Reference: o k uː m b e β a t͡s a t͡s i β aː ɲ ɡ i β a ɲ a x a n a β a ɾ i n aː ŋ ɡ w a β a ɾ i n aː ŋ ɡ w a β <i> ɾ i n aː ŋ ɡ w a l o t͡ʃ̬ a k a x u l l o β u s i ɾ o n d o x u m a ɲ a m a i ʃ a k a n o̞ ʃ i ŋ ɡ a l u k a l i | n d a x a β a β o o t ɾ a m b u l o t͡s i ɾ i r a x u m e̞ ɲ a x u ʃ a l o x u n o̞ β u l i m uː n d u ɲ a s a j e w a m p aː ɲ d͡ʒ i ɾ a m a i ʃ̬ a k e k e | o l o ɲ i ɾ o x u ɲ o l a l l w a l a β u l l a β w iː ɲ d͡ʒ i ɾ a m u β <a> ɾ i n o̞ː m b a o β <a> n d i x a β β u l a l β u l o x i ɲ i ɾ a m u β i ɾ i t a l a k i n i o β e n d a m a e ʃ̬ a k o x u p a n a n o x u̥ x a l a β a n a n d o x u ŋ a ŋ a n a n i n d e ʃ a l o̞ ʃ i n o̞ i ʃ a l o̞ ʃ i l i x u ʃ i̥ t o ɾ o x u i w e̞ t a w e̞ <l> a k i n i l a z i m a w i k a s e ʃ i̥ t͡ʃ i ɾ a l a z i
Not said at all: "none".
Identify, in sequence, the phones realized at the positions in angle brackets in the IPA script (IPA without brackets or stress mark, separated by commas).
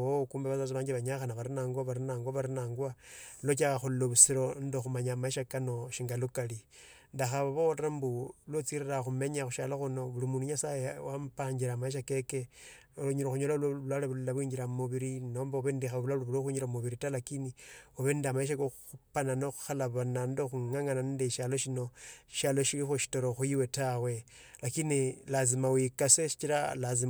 a, i, e, l